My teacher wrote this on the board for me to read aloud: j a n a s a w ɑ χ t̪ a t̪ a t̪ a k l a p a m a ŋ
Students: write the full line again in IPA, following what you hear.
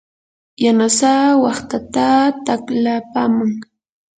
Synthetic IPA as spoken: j a n a s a w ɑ χ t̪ a t̪ a t̪ a k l a p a m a ŋ